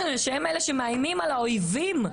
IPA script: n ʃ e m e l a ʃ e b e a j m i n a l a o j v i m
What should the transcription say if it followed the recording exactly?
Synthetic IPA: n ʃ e m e l e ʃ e m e a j m i m a l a o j v i m